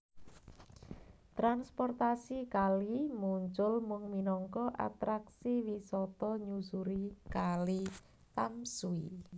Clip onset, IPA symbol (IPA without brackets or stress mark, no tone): t̪